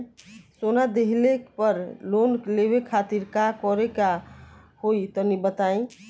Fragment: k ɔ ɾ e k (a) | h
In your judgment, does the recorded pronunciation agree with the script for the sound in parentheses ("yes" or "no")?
yes